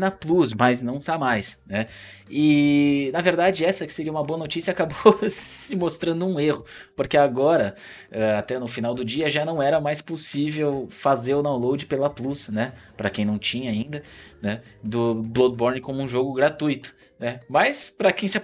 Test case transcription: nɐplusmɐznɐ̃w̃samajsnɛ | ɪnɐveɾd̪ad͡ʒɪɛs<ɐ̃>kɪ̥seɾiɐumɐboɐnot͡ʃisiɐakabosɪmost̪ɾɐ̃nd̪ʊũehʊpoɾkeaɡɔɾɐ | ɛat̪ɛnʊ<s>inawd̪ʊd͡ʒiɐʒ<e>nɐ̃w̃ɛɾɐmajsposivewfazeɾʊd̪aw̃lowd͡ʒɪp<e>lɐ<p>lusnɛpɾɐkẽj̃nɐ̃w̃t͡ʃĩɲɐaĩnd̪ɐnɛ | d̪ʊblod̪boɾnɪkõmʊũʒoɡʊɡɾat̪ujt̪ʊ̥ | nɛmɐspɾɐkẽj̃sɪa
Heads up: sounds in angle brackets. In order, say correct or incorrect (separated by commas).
incorrect, incorrect, incorrect, correct, correct